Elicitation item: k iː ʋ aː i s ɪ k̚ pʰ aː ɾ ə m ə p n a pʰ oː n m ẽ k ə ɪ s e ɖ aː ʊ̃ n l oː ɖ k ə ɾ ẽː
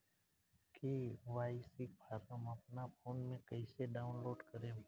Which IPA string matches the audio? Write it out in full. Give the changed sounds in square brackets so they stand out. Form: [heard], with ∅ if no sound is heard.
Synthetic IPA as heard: k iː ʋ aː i s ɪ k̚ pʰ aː ɾ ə m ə p n a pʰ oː n m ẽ k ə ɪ s e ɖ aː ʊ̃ n l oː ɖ k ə ɾ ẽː